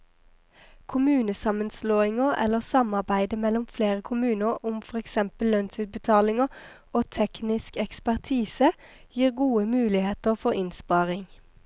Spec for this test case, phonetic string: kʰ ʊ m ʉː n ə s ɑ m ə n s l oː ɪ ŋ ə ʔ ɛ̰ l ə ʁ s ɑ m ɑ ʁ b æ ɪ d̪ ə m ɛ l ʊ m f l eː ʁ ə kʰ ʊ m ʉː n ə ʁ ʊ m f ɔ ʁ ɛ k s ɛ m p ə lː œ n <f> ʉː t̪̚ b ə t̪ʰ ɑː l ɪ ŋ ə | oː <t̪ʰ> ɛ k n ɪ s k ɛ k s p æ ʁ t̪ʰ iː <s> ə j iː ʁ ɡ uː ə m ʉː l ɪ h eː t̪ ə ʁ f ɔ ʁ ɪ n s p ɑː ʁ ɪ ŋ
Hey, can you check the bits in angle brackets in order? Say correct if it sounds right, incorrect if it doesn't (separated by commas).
incorrect, correct, correct